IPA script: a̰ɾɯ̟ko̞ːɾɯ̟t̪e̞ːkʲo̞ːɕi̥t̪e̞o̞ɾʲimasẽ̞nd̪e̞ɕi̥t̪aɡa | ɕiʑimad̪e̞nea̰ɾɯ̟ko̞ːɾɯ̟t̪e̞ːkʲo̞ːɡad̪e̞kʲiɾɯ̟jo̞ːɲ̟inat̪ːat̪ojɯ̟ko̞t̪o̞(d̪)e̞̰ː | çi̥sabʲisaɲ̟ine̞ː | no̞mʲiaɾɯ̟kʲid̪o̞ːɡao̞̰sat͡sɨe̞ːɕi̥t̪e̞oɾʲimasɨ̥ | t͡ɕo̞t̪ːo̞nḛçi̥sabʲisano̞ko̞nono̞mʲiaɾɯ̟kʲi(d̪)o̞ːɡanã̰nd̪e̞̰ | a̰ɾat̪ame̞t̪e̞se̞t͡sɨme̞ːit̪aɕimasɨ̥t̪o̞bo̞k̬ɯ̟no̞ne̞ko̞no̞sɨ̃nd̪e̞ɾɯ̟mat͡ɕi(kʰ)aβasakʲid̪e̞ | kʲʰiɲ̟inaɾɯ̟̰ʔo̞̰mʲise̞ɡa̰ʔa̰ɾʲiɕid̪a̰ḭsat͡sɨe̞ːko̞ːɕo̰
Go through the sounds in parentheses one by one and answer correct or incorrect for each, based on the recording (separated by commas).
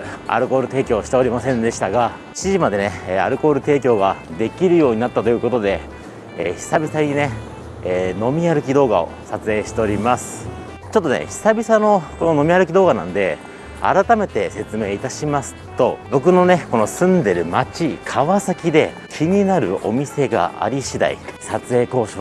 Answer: correct, correct, correct